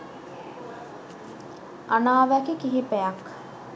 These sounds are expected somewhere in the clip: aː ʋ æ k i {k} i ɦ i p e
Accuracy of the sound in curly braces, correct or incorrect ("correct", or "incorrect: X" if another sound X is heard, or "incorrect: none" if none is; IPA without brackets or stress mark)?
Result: correct